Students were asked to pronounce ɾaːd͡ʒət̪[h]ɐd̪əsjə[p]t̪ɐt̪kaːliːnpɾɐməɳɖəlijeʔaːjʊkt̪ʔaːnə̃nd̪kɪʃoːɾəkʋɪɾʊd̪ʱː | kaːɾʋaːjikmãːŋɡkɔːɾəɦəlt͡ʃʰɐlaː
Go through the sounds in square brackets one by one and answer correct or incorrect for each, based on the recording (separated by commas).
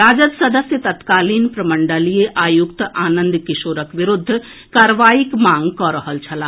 incorrect, incorrect